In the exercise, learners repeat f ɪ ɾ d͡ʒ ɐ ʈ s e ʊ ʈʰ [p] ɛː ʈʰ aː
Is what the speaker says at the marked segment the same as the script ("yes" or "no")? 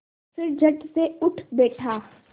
no